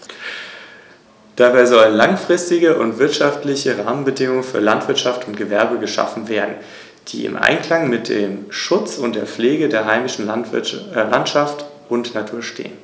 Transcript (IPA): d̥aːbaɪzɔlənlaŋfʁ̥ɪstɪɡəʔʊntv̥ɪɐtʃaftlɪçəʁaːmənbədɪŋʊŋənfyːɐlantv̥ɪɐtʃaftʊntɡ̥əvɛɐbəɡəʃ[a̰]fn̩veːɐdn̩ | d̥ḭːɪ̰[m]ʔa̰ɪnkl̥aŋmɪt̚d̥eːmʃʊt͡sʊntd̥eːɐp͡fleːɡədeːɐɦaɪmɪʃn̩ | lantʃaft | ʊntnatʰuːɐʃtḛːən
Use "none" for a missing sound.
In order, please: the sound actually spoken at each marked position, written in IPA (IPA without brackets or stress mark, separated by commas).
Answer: a̰, m